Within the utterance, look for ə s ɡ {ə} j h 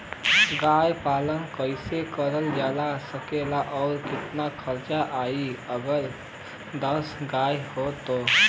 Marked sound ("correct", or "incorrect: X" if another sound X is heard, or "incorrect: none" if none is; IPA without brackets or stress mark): incorrect: a